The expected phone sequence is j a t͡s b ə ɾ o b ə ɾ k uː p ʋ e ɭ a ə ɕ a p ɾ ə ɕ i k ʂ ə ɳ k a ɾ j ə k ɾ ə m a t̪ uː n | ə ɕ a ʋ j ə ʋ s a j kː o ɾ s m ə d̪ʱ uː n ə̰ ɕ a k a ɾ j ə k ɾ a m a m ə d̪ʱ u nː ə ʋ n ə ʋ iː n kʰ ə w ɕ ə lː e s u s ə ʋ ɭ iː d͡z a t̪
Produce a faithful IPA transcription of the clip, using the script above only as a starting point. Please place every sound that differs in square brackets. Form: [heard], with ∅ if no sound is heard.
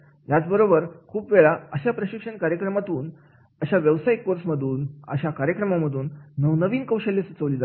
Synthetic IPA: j a t͡s b ə ɾ o b ə ɾ [kʰ] uː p ʋ e ɭ a ə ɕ a p ɾ ə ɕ i k ʂ ə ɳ k a ɾ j ə k ɾ ə m a t̪ uː n | ə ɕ a ʋ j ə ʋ s a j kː o ɾ s m ə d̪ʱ uː n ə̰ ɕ a k a ɾ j ə k ɾ [ə] m a m ə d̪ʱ [uː] nː ə ʋ n ə ʋ iː n [k] ə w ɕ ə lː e s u [t͡s] ə ʋ [l] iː d͡z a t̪